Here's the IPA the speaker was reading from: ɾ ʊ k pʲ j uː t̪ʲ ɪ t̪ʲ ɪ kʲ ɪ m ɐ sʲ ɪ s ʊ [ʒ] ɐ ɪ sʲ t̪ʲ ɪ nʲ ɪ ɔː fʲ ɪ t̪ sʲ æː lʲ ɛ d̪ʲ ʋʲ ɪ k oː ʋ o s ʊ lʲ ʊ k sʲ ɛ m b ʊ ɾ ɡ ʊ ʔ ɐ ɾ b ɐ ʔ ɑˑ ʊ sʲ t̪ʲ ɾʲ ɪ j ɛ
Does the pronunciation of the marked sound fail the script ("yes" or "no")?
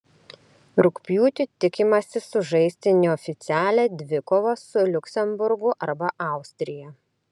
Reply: no